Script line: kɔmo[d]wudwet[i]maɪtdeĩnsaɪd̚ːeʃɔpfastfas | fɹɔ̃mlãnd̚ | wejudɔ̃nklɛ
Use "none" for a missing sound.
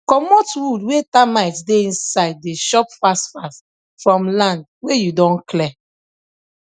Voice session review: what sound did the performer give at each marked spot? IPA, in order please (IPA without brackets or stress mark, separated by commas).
t, a